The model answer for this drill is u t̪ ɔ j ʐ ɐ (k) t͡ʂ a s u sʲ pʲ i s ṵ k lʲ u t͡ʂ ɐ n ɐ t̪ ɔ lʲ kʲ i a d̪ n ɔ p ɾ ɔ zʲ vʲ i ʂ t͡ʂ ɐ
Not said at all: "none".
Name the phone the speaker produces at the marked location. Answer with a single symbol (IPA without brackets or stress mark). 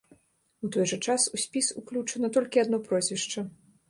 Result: none